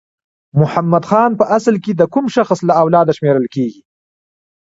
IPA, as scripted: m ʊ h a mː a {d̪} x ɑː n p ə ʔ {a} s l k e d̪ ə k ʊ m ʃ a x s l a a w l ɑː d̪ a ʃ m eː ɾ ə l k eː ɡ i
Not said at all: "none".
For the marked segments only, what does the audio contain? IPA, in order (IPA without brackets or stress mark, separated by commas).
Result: d̪, a